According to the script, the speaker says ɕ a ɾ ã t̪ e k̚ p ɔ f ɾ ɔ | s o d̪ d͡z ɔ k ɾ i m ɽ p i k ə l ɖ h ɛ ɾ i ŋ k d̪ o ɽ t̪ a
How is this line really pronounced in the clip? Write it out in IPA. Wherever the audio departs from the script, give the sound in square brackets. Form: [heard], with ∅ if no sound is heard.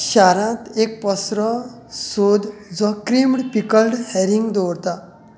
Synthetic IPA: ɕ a ɾ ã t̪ e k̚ p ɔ [s] ɾ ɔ | s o d̪ d͡z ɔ k ɾ i m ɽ p i k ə l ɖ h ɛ ɾ i ŋ [ɡ] d̪ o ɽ t̪ a